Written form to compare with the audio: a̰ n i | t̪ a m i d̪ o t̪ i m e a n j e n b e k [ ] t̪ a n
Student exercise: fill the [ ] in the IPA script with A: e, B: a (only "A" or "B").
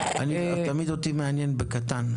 B